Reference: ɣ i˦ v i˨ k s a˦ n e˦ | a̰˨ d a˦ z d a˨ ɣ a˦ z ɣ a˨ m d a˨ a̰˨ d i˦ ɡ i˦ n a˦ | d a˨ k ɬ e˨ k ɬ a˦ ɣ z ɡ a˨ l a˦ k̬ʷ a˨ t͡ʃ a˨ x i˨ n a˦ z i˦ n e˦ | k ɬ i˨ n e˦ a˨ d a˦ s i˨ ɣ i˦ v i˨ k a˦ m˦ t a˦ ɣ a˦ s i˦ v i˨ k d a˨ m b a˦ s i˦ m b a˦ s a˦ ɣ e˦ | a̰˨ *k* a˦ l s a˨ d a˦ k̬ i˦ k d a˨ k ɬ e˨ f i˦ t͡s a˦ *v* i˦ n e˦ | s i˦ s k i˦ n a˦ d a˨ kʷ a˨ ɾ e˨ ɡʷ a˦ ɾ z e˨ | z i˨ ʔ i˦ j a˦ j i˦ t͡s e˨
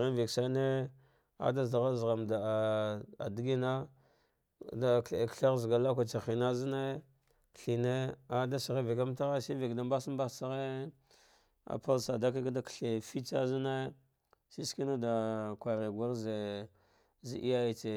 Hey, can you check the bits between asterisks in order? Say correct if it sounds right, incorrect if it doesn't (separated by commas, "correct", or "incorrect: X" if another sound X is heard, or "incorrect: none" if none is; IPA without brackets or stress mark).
incorrect: p, incorrect: z